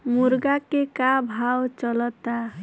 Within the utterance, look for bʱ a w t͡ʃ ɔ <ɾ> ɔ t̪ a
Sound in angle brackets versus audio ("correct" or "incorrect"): incorrect